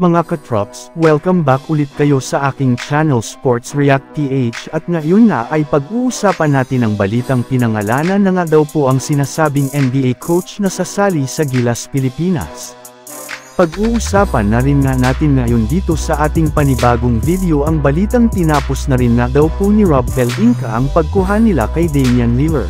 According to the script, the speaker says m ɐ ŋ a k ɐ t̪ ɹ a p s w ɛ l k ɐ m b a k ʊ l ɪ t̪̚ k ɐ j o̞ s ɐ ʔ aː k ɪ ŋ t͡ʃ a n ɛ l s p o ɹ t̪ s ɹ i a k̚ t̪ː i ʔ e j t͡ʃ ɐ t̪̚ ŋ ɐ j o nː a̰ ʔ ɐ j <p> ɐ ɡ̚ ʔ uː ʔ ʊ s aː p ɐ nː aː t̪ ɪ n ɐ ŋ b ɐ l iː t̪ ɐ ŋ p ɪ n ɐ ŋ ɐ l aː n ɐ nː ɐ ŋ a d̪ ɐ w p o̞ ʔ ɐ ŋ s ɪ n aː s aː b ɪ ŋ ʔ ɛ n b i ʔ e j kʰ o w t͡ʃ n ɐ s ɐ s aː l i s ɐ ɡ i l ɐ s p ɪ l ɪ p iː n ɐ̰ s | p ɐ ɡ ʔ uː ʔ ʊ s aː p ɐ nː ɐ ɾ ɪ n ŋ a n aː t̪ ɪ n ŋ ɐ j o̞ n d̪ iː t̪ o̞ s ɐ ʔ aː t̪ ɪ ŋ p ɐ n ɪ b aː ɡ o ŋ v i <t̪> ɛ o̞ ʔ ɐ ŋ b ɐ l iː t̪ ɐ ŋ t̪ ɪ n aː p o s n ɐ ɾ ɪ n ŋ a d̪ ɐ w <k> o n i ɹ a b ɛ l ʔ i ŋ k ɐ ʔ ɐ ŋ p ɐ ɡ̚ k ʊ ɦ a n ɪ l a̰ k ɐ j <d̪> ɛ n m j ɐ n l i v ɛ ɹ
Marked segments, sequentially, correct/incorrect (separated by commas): correct, incorrect, incorrect, correct